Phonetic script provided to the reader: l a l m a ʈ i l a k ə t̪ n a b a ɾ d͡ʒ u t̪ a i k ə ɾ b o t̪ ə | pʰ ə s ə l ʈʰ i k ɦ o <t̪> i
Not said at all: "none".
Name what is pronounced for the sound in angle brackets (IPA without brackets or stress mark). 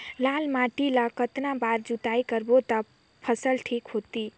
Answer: t̪